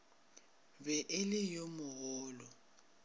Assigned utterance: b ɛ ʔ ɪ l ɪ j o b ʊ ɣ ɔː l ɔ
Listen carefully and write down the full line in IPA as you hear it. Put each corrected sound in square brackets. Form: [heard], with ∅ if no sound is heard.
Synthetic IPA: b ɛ ʔ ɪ l ɪ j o [m] ʊ ɣ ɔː l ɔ